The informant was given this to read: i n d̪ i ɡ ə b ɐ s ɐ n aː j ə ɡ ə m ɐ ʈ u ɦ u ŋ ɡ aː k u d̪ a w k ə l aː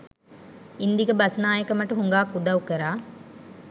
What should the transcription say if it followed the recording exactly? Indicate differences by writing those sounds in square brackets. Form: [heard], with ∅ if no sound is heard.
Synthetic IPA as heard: i n d̪ i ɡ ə b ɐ s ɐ n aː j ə [k] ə m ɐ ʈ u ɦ u ŋ ɡ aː k u d̪ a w k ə [ɾ] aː

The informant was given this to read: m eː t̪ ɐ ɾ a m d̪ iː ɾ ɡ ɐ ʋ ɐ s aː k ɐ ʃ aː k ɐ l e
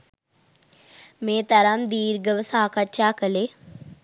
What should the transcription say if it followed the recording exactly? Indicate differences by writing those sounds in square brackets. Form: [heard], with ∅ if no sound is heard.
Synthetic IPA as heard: m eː t̪ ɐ ɾ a m d̪ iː ɾ ɡ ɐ ʋ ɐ s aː k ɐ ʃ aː k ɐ l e

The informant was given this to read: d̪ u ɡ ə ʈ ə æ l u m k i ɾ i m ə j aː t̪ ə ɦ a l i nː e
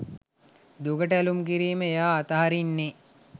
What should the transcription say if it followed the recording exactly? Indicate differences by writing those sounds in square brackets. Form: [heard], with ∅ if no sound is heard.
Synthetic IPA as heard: d̪ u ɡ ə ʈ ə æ l u m k i ɾ [iː] m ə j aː t̪ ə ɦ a [ɾ] i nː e

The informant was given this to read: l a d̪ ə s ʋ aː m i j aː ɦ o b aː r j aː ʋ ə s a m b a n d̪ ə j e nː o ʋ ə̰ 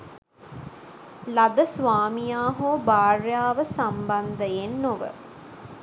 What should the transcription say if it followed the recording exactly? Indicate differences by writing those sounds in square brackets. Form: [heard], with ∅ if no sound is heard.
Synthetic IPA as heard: l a d̪ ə s ʋ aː m i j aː ɦ o b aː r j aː ʋ ə s a m b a n d̪ ə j e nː o ʋ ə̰

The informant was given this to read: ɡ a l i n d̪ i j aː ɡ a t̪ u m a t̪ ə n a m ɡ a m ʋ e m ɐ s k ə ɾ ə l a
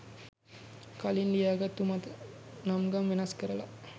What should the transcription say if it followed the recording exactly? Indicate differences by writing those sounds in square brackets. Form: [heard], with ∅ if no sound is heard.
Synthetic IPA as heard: [k] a l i n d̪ i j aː ɡ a t̪ u m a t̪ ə n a m ɡ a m ʋ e [n] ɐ s k ə ɾ ə l a

